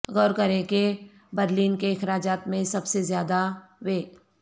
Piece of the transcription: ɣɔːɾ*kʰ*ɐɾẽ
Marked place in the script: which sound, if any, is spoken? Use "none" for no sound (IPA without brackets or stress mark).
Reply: k